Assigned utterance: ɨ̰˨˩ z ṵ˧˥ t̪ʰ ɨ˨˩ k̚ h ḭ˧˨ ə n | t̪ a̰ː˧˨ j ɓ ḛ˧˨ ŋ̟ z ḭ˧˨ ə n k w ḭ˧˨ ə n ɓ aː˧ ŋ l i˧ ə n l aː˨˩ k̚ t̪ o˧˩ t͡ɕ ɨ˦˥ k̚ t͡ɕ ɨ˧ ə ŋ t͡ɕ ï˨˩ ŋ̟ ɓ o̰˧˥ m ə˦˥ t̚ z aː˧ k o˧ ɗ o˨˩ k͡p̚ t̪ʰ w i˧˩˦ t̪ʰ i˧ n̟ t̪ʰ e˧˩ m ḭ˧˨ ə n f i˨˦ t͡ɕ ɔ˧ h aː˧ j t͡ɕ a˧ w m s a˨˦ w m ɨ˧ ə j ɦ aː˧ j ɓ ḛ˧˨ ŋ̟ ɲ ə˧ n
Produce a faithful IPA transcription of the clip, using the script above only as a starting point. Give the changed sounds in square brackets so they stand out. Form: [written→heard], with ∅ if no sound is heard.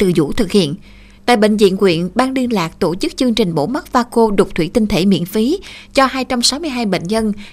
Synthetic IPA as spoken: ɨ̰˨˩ z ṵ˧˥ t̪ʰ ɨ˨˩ k̚ h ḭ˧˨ ə n | t̪ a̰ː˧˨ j ɓ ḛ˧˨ ŋ̟ z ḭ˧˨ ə n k w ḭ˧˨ ə n ɓ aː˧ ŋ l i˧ ə n l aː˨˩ k̚ t̪ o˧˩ t͡ɕ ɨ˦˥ k̚ t͡ɕ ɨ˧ ə ŋ t͡ɕ ï˨˩ ŋ̟ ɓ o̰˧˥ m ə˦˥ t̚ [z→v] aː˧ k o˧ ɗ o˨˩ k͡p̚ t̪ʰ w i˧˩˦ [t̪ʰ→t̪] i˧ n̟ t̪ʰ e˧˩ m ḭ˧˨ ə n f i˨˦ t͡ɕ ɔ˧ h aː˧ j t͡ɕ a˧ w m s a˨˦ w m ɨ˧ ə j ɦ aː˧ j ɓ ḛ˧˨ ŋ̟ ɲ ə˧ n